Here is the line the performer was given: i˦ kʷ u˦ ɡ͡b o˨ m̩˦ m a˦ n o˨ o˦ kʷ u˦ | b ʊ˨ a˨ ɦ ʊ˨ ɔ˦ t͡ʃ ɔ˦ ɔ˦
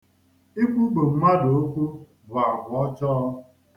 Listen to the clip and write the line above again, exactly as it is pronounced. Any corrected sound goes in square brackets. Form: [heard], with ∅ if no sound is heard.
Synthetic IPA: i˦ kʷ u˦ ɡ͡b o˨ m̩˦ m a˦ [d] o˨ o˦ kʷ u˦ | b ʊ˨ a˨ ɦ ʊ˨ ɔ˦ t͡ʃ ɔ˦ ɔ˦